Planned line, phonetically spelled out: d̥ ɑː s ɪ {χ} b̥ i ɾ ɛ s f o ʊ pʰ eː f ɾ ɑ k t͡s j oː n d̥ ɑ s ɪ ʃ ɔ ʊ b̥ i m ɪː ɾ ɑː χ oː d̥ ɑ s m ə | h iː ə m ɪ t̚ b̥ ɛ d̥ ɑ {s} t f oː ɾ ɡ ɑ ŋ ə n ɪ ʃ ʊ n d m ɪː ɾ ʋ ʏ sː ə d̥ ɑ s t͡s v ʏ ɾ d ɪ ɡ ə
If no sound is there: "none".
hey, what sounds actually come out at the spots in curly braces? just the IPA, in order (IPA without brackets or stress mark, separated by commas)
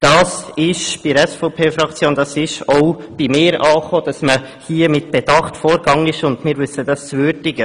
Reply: ʃ, χ